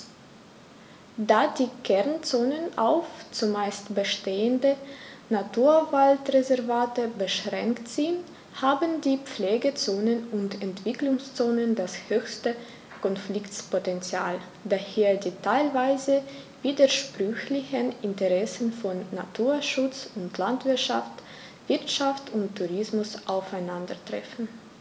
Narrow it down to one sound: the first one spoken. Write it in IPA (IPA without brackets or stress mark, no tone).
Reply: d